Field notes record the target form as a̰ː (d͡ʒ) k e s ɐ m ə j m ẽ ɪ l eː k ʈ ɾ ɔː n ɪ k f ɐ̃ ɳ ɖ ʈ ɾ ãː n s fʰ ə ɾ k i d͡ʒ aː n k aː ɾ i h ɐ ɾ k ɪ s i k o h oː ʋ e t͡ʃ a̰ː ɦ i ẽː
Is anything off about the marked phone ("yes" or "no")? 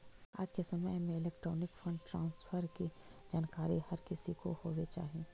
no